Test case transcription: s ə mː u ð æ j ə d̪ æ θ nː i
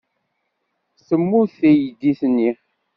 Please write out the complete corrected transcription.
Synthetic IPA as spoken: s ə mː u θ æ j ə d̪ i θ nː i